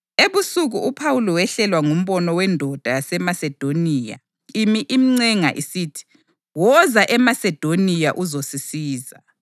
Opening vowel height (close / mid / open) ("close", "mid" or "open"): mid